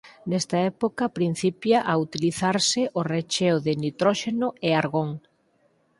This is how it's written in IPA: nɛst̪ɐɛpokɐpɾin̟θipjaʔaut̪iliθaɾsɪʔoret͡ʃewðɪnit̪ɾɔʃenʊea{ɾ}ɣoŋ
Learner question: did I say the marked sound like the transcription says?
yes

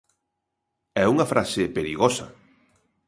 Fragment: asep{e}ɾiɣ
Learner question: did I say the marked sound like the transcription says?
yes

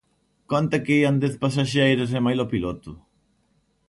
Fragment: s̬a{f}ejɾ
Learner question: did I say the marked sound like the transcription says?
no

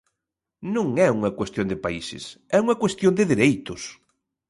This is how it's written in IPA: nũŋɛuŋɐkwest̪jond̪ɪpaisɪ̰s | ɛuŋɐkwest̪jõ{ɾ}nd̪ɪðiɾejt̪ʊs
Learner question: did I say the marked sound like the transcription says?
no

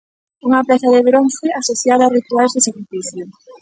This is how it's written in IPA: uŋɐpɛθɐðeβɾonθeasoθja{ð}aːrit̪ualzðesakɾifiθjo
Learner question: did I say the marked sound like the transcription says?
yes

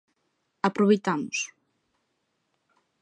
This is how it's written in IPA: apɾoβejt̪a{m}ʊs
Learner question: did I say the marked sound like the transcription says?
yes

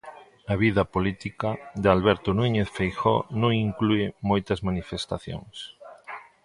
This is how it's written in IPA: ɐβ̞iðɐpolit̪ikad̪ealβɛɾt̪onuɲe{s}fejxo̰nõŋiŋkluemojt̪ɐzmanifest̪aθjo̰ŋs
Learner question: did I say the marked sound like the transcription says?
no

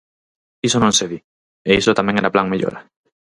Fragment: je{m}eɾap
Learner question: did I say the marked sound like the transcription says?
no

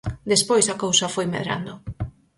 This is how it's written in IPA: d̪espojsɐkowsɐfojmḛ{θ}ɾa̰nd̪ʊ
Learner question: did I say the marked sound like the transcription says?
no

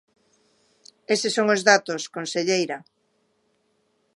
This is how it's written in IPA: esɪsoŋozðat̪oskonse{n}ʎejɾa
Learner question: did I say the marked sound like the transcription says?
no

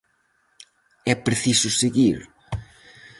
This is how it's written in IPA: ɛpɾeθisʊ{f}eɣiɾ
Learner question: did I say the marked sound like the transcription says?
no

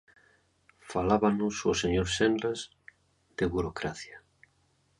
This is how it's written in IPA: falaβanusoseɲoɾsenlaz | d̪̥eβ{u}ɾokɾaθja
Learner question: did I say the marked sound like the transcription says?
yes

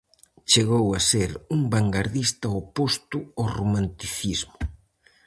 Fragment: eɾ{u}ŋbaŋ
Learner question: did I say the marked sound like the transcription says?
yes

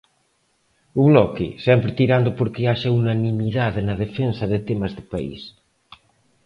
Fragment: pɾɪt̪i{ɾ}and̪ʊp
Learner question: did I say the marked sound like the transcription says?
yes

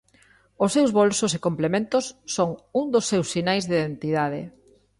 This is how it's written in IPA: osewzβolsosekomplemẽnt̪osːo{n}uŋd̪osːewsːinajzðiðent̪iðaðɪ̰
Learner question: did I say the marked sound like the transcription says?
no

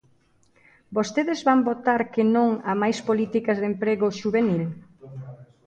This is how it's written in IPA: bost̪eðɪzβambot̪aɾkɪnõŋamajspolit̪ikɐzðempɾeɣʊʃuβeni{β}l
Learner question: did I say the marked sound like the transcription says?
no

